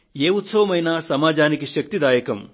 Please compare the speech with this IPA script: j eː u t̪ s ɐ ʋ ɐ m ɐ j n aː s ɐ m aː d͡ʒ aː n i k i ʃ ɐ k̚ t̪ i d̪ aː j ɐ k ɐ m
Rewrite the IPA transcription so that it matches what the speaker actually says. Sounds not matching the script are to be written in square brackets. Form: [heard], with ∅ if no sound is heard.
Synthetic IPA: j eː u t̪ s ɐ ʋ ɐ m ɐ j n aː s ɐ m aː d͡ʒ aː n i k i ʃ ɐ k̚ t̪ i d̪ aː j ɐ k ɐ m

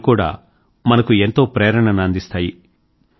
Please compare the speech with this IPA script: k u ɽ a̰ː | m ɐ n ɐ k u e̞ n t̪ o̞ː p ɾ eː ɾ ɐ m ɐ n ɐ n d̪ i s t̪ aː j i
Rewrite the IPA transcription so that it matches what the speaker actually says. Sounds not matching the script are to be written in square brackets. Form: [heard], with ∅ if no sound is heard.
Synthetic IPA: k [uː] ɽ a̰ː | m ɐ n ɐ k u e̞ n t̪ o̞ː p ɾ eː ɾ ɐ [ɳ] ɐ n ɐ n d̪ i s t̪ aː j i

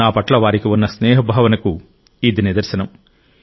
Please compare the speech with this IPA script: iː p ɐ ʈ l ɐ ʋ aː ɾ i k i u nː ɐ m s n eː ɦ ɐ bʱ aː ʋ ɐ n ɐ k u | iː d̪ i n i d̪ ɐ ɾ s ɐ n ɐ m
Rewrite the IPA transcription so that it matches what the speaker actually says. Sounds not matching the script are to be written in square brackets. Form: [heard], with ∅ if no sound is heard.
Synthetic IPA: [aː] p ɐ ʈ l ɐ ʋ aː ɾ i k i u nː ɐ [∅] s n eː ɦ ɐ bʱ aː ʋ ɐ n ɐ k u | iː d̪ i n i d̪ ɐ ɾ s ɐ n ɐ m

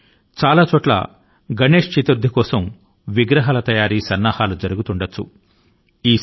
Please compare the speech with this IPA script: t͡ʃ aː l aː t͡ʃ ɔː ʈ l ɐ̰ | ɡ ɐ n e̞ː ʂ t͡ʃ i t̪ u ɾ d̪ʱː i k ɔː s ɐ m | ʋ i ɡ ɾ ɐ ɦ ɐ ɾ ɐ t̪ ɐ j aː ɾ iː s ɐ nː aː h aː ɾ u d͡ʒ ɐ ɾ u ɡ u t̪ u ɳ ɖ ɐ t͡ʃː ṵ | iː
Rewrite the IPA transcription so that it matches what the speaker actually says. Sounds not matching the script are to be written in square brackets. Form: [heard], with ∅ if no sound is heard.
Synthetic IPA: t͡ʃ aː l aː t͡ʃ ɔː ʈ l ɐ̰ | ɡ ɐ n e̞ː ʂ t͡ʃ i t̪ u ɾ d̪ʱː i k ɔː s ɐ m | ʋ i ɡ ɾ ɐ ɦ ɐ [l] ɐ t̪ ɐ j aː ɾ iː s ɐ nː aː h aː [l] u d͡ʒ ɐ ɾ u ɡ u t̪ u ɳ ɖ ɐ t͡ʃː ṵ | iː

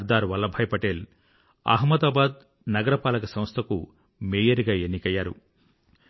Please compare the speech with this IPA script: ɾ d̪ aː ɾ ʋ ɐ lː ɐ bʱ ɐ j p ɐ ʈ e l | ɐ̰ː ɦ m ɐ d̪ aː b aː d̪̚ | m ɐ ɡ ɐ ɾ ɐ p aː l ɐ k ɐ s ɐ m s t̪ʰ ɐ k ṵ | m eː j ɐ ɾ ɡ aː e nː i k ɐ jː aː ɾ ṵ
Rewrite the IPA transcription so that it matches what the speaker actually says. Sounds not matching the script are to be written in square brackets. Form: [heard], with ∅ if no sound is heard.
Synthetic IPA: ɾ d̪ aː ɾ ʋ ɐ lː ɐ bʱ ɐ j p ɐ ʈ e l | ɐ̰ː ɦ m ɐ d̪ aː b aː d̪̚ | [n] ɐ ɡ ɐ ɾ ɐ p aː l ɐ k ɐ s ɐ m s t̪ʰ ɐ k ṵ | m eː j ɐ ɾ ɡ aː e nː i k ɐ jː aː ɾ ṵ

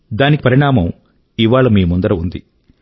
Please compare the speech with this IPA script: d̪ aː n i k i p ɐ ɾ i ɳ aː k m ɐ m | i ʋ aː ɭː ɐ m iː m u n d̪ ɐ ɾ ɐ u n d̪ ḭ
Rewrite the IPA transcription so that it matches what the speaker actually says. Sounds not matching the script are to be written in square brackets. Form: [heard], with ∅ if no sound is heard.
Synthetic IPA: d̪ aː n i k i p ɐ ɾ i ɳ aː [∅] m ɐ m | i ʋ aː [ɭ] ɐ m iː m u n d̪ ɐ ɾ ɐ u n d̪ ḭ

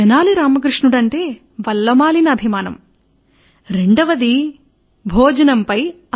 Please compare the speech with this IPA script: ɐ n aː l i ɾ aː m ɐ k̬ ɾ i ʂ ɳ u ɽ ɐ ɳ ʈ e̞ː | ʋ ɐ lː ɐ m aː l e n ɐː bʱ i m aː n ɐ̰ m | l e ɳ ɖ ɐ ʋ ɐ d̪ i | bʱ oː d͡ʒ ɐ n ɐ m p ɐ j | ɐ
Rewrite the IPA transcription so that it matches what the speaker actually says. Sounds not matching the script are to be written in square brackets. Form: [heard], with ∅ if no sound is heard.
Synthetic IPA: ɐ n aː l i ɾ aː m ɐ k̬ ɾ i ʂ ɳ u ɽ ɐ ɳ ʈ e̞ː | ʋ ɐ lː ɐ m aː l [i] n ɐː bʱ i m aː n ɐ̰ m | [ɾ] e ɳ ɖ ɐ ʋ ɐ d̪ i | bʱ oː d͡ʒ ɐ n ɐ m p ɐ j | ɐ

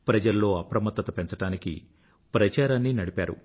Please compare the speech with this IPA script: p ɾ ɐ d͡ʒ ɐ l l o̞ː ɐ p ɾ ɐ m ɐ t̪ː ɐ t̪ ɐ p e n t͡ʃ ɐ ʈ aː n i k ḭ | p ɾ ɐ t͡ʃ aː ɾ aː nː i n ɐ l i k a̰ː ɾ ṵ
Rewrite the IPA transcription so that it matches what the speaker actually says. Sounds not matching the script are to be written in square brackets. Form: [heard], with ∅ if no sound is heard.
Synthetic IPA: p ɾ ɐ d͡ʒ ɐ l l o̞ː ɐ p ɾ ɐ m ɐ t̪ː ɐ t̪ ɐ p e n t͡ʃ ɐ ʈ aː n i k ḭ | p ɾ ɐ t͡ʃ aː ɾ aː nː i n ɐ [ɽ] i [p] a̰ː ɾ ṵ

